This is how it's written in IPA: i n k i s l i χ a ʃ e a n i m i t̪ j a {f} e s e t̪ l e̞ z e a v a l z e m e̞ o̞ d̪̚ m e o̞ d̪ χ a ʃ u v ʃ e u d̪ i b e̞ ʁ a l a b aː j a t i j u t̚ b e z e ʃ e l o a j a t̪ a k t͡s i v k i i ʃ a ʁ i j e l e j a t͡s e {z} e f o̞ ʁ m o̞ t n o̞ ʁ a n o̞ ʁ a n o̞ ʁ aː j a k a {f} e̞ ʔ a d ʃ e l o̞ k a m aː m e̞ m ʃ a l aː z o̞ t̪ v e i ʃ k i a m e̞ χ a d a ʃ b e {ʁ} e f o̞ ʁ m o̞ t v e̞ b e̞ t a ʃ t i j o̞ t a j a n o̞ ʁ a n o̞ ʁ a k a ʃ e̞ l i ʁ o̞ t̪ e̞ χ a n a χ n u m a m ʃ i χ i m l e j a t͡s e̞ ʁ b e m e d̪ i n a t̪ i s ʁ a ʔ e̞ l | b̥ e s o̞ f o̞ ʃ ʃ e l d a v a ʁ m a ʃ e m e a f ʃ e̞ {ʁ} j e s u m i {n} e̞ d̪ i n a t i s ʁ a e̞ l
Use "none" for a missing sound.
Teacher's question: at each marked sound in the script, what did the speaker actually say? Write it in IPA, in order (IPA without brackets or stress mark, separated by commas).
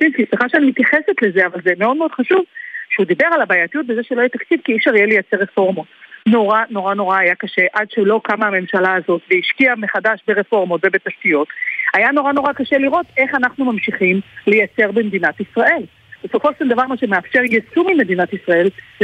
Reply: χ, ʁ, ʃ, ʁ, ʁ, m